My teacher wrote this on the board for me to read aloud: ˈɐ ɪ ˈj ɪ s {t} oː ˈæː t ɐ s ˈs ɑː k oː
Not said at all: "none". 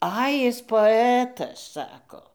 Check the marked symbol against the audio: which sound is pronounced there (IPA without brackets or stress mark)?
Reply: p